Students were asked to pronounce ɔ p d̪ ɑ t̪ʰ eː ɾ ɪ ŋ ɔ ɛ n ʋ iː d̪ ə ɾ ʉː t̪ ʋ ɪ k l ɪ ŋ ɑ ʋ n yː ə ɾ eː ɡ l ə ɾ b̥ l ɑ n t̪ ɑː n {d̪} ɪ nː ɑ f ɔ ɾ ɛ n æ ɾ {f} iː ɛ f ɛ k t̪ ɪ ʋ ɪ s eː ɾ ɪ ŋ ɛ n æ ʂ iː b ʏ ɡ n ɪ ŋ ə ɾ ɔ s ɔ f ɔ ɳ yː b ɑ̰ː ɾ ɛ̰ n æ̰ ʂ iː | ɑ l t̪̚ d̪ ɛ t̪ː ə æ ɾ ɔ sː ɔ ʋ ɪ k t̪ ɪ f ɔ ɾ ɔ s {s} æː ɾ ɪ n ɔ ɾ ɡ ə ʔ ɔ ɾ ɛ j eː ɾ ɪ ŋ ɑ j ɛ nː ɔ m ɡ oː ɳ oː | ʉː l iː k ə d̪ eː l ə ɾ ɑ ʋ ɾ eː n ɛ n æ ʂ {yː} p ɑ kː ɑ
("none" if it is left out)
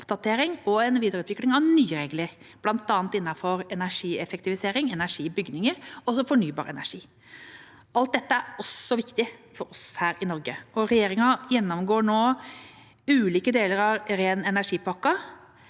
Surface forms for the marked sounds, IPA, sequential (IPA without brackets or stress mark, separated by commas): t̪, ʂ, h, iː